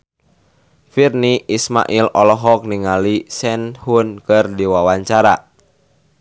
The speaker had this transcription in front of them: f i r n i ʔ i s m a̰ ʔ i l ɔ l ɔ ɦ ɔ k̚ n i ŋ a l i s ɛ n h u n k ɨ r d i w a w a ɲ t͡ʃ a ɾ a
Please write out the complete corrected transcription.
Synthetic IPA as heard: f i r n i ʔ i s m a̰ ʔ i l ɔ l ɔ ɦ ɔ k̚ n i ŋ a l i s ɛ n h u n k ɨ r d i w a w a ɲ t͡ʃ a ɾ a